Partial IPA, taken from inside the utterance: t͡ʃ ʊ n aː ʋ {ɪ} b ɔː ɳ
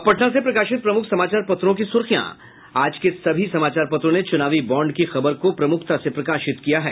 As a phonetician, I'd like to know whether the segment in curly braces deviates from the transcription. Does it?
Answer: yes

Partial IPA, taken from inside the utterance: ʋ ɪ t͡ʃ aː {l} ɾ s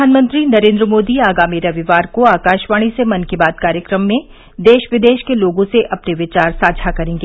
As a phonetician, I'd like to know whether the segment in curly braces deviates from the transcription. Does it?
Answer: yes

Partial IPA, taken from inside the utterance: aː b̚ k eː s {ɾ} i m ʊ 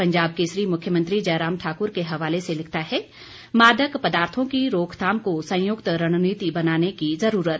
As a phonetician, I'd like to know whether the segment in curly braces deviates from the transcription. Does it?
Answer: no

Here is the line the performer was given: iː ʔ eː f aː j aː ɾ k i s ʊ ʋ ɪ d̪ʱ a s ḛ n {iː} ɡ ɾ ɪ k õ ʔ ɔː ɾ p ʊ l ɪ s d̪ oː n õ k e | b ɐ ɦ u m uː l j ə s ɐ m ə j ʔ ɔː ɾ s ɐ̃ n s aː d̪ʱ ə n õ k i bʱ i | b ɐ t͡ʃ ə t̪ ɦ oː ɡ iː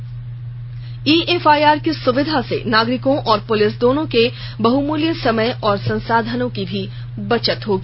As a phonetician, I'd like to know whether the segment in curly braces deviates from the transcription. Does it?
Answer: yes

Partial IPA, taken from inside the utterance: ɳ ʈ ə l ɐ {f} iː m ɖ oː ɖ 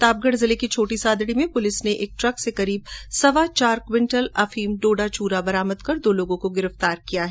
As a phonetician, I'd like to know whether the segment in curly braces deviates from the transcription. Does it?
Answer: no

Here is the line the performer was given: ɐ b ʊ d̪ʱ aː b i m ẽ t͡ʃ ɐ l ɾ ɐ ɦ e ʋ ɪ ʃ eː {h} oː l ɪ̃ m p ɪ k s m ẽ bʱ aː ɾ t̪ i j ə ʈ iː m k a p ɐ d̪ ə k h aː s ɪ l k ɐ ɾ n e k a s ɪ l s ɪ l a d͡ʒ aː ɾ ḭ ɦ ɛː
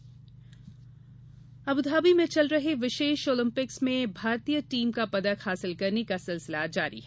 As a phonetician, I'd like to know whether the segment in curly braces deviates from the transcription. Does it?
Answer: yes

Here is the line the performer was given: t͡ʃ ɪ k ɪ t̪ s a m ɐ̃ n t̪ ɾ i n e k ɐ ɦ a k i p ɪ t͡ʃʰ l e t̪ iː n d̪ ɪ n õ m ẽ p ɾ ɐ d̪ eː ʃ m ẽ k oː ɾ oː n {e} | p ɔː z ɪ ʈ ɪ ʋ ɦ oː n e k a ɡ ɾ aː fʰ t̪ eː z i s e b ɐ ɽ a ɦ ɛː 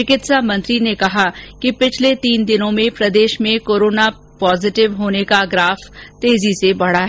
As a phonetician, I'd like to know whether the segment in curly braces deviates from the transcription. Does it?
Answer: yes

